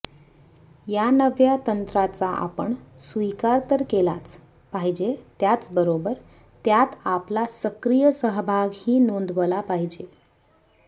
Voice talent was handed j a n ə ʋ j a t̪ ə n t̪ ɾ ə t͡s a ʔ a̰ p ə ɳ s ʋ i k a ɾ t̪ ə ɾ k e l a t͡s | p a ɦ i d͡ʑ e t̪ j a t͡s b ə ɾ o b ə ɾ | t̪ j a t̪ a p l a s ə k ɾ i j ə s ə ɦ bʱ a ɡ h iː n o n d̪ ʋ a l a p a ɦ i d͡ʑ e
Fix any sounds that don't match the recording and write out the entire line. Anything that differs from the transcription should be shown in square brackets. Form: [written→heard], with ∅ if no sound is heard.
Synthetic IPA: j a n ə ʋ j a t̪ ə n t̪ ɾ [ə→a] t͡s a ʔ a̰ p ə ɳ s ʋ i k a ɾ t̪ ə ɾ k e l a t͡s | p a ɦ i d͡ʑ e t̪ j a t͡s b ə ɾ o b ə ɾ | t̪ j a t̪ a p l a s ə k ɾ i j ə s ə ɦ bʱ a ɡ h iː n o n d̪ ʋ [a→ə] l a p a ɦ i d͡ʑ e